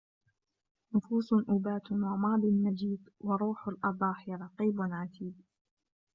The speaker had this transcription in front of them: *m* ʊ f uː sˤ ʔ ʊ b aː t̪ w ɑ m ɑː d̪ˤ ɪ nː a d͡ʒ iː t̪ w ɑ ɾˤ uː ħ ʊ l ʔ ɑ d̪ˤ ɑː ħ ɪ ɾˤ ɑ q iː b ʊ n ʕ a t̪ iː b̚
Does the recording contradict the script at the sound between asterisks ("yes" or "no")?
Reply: yes